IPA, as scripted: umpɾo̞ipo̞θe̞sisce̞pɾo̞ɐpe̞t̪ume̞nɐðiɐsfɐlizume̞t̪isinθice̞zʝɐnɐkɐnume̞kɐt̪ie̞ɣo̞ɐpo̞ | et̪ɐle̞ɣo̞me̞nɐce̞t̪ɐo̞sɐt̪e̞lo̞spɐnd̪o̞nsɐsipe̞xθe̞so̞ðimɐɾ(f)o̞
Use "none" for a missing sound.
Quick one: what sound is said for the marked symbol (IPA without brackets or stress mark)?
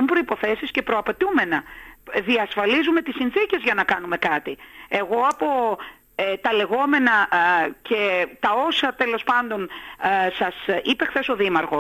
x